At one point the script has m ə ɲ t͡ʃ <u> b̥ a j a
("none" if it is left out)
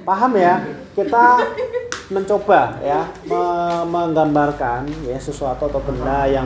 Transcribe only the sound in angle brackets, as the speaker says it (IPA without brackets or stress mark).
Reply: o